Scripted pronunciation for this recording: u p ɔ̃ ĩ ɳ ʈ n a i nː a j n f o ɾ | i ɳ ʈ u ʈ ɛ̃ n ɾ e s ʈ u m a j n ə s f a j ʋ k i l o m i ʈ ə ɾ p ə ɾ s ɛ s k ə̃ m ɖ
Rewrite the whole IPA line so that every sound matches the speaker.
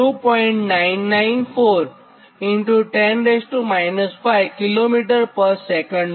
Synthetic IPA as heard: u p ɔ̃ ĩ ɳ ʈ n a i nː a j n f o ɾ | i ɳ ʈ u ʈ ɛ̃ n ɾ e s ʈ u m a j n ə s f a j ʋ k i l o m i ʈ ə ɾ p ə ɾ s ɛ k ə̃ ɳ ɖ

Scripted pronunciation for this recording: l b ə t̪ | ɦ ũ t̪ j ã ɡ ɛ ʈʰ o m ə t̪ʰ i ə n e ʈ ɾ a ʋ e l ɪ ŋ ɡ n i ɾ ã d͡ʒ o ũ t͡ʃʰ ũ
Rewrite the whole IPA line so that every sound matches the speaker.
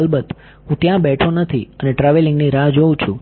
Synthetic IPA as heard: l b ə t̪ | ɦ ũ t̪ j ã b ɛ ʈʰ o n ə t̪ʰ i ə n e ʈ ɾ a ʋ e l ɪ ŋ ɡ n i ɾ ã d͡ʒ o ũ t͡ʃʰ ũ

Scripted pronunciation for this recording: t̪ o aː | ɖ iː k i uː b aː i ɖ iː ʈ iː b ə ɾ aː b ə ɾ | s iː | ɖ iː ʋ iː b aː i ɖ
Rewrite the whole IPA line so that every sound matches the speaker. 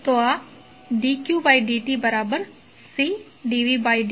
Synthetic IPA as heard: t̪ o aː | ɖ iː k j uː b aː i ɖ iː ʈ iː b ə ɾ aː b ə ɾ | s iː | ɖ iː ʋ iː b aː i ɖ

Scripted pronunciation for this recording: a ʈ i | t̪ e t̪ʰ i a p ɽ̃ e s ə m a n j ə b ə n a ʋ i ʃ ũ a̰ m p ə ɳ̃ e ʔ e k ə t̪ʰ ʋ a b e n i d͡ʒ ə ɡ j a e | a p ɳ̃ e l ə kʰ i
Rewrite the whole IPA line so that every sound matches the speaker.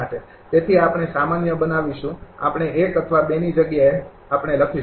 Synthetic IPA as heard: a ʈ e | t̪ e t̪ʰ i a p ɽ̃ e s a m a n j ə b ə n a ʋ i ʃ ũ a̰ p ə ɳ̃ e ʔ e k ə t̪ʰ ʋ a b e n i d͡ʒ ə ɡ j a e | a p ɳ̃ e l ə kʰ i

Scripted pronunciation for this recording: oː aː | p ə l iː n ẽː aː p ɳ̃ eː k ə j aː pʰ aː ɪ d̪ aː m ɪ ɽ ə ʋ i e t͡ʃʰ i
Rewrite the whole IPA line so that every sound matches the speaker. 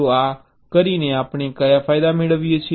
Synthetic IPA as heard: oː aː | k ə ɾ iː n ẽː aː p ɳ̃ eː k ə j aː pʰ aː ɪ d̪ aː m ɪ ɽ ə ʋ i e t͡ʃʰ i

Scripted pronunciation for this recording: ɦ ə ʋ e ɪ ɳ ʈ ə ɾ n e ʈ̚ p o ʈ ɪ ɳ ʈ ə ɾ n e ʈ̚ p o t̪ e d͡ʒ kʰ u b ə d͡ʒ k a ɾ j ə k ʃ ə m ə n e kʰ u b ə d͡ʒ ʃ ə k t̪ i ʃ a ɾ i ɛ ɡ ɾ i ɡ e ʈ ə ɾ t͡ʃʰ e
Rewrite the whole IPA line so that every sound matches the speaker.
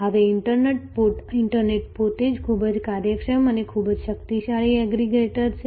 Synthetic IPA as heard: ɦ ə ʋ e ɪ ɳ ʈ ə ɾ n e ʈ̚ p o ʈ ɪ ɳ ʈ ə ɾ n e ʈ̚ p o t̪ e d͡ʒ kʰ u b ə d͡ʒ k a ɾ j ə k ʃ ə m ə n e kʰ u b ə d͡ʒ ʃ ə k t̪ i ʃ a ɭ i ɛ ɡ ɾ i ɡ e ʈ ə ɾ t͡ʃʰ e

